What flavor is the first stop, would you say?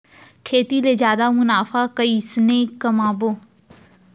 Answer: aspirated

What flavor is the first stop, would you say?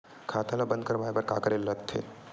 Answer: aspirated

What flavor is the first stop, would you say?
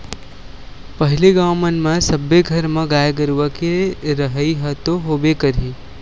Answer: plain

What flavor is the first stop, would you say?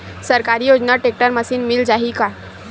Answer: plain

